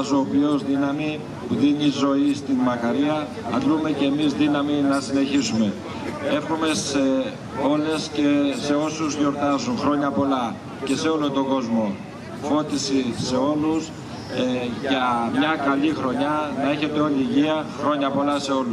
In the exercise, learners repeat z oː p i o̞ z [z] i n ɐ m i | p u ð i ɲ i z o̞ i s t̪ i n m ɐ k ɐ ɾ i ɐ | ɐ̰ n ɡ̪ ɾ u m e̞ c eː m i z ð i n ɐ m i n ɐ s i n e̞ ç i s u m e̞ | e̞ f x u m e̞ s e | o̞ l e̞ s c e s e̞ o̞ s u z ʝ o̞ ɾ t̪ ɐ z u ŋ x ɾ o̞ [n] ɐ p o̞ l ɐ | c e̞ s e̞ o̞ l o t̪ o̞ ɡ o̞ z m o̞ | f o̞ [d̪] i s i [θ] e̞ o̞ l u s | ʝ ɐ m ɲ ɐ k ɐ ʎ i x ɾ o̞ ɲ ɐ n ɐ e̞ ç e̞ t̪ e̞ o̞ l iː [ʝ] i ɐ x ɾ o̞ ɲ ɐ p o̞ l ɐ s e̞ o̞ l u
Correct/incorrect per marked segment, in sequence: incorrect: ð, incorrect: ɲ, incorrect: t̪, incorrect: s, correct

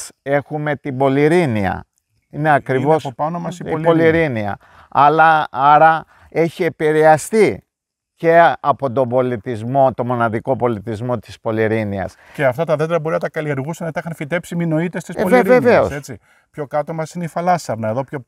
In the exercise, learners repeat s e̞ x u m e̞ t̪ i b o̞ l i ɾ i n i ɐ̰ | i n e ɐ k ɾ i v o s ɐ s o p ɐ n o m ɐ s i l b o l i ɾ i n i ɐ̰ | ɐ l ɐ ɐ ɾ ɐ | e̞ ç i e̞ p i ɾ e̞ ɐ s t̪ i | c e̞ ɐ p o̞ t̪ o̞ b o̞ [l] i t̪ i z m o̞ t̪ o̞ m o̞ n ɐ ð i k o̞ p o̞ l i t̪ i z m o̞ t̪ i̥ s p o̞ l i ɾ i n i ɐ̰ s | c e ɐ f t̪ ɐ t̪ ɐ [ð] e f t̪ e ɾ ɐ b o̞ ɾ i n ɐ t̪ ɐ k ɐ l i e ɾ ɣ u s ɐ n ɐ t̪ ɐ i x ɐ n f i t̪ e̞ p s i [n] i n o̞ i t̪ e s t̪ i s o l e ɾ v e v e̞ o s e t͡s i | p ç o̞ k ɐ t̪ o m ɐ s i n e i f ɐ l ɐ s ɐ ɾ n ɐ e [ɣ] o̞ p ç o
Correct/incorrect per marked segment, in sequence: correct, correct, incorrect: m, incorrect: ð

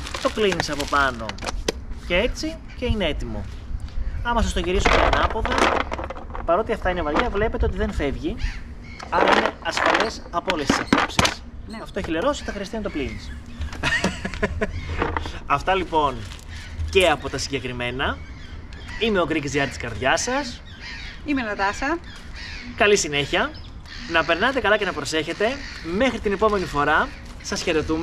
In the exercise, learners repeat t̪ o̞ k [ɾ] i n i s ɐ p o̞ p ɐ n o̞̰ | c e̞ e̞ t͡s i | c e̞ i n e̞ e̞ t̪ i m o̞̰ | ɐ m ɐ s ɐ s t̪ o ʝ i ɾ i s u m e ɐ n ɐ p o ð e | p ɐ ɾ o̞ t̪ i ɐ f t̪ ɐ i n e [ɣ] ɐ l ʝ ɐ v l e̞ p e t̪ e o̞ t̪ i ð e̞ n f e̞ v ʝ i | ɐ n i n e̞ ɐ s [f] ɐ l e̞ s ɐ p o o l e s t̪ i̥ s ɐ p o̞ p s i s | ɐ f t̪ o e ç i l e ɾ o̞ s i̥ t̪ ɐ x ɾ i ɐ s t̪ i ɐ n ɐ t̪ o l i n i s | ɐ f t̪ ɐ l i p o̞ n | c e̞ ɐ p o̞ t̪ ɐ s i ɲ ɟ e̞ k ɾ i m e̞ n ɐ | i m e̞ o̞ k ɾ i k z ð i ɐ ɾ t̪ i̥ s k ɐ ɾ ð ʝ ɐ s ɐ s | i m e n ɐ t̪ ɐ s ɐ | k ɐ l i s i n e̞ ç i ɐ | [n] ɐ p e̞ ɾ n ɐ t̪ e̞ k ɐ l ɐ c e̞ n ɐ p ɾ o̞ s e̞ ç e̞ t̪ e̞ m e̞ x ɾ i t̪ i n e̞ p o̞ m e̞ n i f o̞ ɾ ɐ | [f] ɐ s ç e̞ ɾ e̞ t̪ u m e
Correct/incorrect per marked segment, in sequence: incorrect: l, incorrect: v, correct, correct, incorrect: s

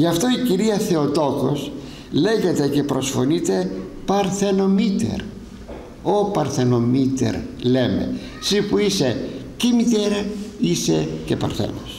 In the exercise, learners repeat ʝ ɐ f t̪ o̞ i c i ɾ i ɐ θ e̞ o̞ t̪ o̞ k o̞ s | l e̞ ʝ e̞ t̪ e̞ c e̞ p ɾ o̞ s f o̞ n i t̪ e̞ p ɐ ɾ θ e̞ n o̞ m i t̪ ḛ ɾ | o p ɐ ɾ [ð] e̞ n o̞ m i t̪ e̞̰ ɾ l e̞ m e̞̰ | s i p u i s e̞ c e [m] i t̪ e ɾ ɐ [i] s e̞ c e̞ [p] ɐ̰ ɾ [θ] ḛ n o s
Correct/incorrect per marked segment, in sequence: incorrect: θ, correct, correct, correct, correct

